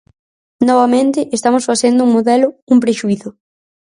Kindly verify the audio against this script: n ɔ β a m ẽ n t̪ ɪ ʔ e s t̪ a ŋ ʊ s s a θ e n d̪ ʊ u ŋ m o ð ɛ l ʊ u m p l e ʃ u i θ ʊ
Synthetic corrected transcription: n ɔ β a m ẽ n t̪ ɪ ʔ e s t̪ a m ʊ s f a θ e n d̪ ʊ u ŋ m o ð ɛ l ʊ u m p ɾ e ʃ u i θ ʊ